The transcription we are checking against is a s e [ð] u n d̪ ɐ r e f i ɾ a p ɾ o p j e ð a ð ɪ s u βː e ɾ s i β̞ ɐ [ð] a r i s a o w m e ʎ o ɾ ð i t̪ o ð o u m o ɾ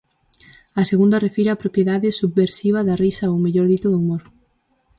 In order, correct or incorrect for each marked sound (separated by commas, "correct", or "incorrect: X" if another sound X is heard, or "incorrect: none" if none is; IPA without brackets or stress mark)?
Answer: incorrect: ɣ, correct